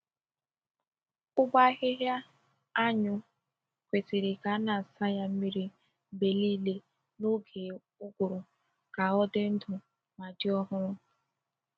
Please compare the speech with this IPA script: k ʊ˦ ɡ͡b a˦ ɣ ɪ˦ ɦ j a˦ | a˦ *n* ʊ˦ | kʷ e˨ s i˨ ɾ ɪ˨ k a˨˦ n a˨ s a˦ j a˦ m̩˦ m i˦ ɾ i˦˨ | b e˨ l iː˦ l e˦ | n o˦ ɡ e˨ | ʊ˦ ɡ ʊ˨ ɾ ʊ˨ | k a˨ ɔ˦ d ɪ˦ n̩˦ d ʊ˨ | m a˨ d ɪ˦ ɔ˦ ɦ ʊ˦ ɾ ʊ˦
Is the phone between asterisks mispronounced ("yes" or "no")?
yes